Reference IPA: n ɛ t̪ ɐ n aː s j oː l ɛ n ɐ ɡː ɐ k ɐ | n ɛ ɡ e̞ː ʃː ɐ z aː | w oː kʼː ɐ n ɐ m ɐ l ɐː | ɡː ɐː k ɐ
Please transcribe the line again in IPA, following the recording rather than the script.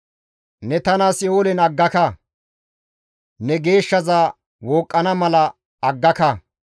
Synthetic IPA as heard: n ɛ t̪ ɐ n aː s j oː l ɛ n ɐ ɡː ɐ k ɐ | n ɛ ɡ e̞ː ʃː ɐ z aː | w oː kʼː ɐ n ɐ m ɐ l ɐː | ɡː ɐ k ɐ